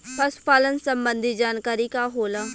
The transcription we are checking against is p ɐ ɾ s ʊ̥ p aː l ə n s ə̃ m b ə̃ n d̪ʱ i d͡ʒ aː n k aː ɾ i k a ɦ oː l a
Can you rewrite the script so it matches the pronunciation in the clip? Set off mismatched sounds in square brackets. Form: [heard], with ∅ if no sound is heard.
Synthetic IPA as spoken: p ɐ [∅] s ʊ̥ p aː l ə n s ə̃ m b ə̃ n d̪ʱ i d͡ʒ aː n k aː ɾ i k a ɦ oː l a